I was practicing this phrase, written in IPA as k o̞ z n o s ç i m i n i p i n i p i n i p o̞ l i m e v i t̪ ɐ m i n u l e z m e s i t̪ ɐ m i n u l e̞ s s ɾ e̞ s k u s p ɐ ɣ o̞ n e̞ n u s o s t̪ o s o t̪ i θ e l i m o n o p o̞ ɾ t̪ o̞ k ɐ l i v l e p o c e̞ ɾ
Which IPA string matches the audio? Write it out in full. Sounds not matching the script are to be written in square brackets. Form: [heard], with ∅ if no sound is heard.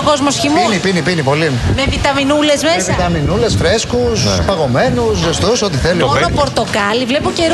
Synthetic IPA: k o̞ z [m] o s ç i m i n i p i n i p i n i p o̞ l i m e v i t̪ ɐ m i n u l e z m e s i t̪ ɐ m i n u l e̞ s [f] ɾ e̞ s k u s p ɐ ɣ o̞ [m] e̞ n u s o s t̪ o s o t̪ i θ e l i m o n o p o̞ ɾ t̪ o̞ k ɐ l i v l e p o c e̞ ɾ